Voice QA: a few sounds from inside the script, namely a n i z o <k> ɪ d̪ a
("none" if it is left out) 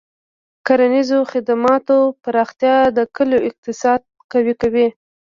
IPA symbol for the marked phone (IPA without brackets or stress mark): x